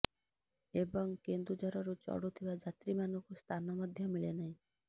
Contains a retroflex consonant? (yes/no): yes